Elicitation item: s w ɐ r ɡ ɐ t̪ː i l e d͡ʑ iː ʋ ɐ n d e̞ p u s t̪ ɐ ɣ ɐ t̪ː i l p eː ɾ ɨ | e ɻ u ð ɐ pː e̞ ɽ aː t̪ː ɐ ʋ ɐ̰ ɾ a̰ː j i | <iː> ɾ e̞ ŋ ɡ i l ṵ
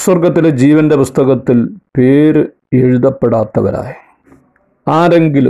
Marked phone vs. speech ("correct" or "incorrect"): incorrect